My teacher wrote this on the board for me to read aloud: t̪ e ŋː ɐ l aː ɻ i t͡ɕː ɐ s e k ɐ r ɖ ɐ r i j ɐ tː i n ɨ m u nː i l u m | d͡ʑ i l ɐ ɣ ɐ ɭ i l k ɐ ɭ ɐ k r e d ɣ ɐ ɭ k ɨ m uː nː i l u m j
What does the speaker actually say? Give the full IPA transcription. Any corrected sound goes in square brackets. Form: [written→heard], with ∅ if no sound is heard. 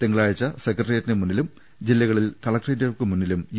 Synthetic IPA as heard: t̪ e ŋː ɐ [l→ɭ] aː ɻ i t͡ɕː ɐ s e k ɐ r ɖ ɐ r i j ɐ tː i n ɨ m u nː i l u m | d͡ʑ i [l→lː] ɐ ɣ ɐ ɭ i l k ɐ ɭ ɐ k r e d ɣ ɐ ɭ k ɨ m [uː→u] nː i l u m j